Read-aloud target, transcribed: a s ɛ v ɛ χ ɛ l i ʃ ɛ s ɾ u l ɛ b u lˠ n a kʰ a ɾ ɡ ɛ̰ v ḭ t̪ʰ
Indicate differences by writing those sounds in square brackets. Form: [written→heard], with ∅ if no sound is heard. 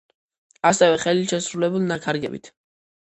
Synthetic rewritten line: a s ɛ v ɛ χ ɛ l i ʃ ɛ s ɾ u l ɛ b u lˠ n a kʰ a ɾ ɡ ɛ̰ [v→b] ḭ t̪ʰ